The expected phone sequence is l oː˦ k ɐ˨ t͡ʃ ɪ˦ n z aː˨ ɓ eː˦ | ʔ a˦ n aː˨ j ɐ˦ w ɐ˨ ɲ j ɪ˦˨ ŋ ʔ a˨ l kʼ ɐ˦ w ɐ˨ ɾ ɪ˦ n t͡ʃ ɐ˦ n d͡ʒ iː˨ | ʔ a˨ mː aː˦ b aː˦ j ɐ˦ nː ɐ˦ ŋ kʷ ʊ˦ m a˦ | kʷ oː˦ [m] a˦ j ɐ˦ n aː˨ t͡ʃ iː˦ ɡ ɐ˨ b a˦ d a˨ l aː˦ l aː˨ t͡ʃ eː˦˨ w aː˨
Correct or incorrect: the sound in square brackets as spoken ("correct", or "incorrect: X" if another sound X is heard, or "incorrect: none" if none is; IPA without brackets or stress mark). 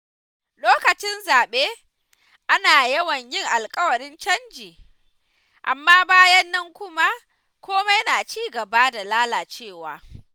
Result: correct